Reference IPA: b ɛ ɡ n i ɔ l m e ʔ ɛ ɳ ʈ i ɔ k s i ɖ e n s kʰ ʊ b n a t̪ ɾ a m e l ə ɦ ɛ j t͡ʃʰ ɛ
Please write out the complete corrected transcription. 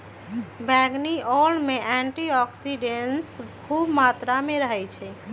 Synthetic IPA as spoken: b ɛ ɡ n i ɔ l m e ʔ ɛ ɳ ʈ i ɔ k s i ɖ e n s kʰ u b m a t̪ ɾ a m e ɾ ə ɦ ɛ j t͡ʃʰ ɛ